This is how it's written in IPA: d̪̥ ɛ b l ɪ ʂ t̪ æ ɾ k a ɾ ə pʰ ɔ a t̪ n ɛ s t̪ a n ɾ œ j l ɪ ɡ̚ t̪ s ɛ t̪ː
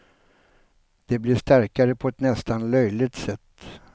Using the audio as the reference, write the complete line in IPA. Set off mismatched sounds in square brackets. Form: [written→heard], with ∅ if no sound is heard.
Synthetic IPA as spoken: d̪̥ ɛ b l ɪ ʂ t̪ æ ɾ k a ɾ ə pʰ ɔ [a→ɛ] t̪ n ɛ s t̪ a n [ɾ→l] œ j l ɪ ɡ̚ t̪ s ɛ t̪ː